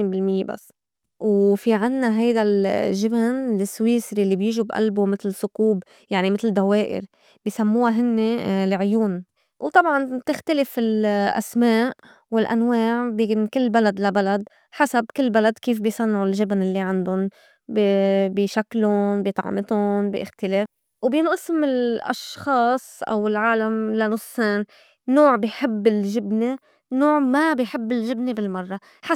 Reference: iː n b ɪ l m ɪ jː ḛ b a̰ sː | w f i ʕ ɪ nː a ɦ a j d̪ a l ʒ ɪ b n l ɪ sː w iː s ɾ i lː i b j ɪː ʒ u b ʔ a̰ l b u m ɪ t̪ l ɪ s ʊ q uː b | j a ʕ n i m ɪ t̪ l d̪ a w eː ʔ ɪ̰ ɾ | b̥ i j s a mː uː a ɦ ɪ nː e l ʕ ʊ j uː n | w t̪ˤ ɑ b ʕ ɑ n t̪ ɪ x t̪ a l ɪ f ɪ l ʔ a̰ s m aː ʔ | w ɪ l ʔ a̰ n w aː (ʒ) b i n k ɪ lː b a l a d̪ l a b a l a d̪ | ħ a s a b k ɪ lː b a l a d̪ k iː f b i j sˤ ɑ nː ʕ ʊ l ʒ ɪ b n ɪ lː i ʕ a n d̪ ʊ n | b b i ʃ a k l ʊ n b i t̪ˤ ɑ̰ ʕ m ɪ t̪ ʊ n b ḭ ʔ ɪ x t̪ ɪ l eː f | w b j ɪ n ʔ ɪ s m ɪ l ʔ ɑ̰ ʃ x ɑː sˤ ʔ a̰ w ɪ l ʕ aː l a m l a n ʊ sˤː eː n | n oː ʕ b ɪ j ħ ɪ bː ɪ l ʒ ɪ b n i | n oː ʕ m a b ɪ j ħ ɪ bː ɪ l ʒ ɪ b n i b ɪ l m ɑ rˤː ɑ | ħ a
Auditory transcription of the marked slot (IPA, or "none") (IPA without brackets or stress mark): ʕ